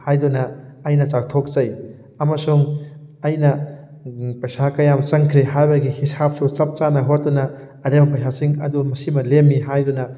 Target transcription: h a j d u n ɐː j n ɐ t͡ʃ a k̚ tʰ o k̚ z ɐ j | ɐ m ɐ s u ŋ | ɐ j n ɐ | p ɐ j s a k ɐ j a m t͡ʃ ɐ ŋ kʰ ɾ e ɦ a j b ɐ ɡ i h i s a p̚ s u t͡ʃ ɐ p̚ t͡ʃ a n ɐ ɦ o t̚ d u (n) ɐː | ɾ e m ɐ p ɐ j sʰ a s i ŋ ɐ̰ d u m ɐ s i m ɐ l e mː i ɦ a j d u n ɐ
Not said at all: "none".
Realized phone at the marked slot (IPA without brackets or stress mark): n